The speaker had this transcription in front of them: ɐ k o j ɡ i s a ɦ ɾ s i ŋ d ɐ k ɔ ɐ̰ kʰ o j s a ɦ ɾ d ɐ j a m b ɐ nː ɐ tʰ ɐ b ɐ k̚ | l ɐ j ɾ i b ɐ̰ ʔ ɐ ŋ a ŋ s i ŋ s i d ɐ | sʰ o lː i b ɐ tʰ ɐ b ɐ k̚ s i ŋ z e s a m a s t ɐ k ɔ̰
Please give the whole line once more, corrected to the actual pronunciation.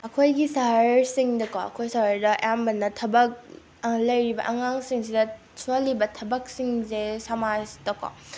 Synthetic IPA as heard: ɐ kʰ o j ɡ i s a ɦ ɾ s i ŋ d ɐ k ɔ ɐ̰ kʰ o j s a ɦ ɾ d ɐ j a m b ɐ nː ɐ tʰ ɐ b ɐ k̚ | l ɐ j ɾ i b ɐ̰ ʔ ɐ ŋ a ŋ s i ŋ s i d ɐ | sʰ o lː i b ɐ tʰ ɐ b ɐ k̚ s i ŋ z e s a m a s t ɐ k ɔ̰